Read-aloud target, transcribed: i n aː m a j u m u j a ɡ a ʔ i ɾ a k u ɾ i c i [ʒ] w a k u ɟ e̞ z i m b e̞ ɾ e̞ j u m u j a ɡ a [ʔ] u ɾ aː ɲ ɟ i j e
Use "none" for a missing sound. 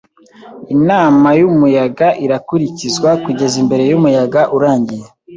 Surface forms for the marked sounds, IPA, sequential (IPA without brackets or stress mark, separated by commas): z, ʔ